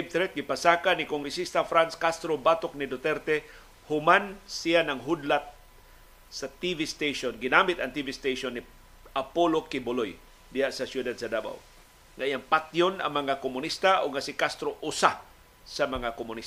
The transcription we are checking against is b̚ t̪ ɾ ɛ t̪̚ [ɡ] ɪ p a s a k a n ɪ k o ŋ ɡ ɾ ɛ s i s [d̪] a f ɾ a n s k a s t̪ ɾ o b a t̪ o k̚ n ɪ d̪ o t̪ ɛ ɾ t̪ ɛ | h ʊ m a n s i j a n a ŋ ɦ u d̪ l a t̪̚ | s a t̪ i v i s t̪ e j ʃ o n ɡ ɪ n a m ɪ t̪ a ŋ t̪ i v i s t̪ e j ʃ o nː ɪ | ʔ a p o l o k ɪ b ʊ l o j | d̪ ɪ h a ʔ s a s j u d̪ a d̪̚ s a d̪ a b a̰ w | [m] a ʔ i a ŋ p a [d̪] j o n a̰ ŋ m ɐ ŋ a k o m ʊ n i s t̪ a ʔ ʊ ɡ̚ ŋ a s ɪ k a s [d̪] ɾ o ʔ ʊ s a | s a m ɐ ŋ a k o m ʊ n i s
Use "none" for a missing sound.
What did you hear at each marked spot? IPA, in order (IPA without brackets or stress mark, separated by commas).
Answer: ɡ, t̪, ŋ, t̪, t̪